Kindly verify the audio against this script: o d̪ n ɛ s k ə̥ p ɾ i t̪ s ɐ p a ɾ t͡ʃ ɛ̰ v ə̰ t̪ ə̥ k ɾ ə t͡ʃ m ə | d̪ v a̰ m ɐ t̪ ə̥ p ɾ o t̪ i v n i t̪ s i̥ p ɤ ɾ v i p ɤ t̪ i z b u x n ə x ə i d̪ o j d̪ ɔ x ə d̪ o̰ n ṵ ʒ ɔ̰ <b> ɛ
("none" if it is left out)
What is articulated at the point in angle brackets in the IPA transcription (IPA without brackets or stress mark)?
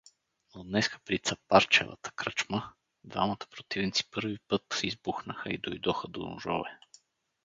v